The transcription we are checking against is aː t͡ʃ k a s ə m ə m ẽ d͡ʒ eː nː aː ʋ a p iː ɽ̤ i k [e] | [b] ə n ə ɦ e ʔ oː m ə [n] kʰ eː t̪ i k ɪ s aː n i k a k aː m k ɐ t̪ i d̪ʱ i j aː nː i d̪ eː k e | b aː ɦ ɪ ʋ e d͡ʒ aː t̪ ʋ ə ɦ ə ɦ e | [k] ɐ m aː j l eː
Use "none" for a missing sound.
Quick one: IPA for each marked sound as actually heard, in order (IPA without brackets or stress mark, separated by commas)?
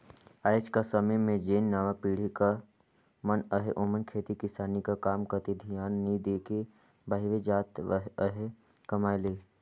a, m, n, k